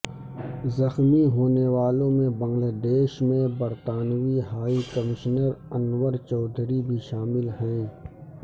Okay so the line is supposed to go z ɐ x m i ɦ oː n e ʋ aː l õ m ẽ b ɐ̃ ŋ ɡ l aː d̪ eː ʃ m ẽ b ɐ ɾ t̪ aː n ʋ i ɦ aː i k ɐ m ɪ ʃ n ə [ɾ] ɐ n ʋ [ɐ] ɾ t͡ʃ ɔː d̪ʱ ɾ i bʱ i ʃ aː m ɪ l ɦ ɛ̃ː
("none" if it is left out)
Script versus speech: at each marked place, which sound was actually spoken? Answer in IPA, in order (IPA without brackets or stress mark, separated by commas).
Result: ɾ, ə